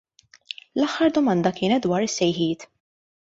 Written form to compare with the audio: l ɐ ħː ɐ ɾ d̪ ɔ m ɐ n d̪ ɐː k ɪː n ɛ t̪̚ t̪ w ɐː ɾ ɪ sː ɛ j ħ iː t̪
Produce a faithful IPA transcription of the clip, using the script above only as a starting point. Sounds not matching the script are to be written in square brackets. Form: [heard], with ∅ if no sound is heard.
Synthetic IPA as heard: l ɐ ħː ɐ ɾ d̪ ɔ m ɐ n d̪ [ɐ] k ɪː n ɛ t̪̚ [d̪] w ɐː ɾ ɪ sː ɛ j ħ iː t̪